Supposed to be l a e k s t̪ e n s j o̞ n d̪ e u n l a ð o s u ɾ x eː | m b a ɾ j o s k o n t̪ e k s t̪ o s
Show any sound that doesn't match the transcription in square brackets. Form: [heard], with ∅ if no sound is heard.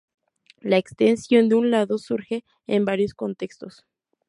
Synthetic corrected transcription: l a e k s t̪ e n s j o̞ n d̪ e u n l a ð o s u ɾ x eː | m b a ɾ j o s k o n t̪ e k s t̪ o s